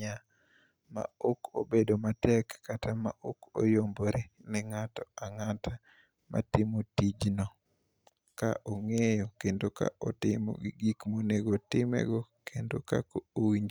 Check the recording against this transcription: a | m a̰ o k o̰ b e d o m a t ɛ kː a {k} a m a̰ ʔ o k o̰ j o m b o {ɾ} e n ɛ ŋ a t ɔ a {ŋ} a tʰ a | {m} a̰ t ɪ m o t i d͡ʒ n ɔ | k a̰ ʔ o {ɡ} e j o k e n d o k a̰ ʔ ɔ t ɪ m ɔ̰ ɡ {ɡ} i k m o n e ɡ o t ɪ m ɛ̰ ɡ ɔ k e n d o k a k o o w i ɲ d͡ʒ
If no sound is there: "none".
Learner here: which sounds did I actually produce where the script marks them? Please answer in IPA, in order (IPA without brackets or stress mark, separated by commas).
t, ɾ, ŋ, m, ŋ, ɡ